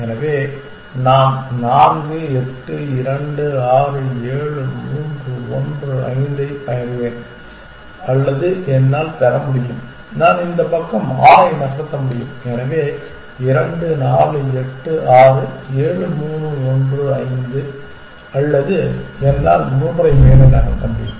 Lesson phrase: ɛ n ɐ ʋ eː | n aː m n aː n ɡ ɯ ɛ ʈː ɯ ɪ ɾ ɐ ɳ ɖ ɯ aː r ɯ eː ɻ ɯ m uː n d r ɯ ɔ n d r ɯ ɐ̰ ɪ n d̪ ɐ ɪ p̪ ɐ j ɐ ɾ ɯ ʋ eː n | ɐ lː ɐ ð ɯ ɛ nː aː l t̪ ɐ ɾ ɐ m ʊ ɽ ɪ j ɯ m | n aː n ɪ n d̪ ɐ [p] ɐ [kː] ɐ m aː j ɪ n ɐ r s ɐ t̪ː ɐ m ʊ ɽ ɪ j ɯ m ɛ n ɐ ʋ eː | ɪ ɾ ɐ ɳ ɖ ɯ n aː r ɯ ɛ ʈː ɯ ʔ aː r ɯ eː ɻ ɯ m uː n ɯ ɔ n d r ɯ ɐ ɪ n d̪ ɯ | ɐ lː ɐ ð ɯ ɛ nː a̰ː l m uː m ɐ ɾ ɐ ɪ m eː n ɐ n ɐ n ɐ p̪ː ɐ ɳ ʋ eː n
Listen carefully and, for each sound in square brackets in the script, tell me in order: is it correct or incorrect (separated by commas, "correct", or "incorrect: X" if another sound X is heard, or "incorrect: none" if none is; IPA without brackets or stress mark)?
correct, correct